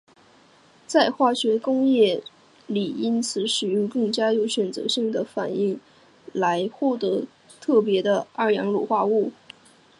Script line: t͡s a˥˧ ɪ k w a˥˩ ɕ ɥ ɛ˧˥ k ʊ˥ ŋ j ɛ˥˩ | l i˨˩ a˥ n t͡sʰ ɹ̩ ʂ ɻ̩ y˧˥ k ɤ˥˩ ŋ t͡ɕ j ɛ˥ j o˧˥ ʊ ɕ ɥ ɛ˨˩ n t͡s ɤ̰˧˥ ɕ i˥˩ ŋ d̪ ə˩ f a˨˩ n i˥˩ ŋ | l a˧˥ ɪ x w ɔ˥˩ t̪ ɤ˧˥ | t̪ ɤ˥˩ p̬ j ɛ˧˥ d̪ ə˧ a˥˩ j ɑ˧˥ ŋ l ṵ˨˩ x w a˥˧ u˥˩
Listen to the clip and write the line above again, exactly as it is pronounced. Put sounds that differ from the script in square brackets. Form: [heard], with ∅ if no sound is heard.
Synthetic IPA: t͡s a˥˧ ɪ [x] w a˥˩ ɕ ɥ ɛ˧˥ k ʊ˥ ŋ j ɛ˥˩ | l i˨˩ [i˥] n t͡sʰ ɹ̩ ʂ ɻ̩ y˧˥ k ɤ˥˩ ŋ t͡ɕ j [a˥] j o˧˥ ʊ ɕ ɥ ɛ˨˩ n t͡s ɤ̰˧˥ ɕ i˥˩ ŋ d̪ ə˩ f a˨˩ n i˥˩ ŋ | l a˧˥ ɪ x w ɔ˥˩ t̪ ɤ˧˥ | [t̪ʰ] ɤ˥˩ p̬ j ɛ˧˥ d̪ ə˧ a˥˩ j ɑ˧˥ ŋ l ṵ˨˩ x w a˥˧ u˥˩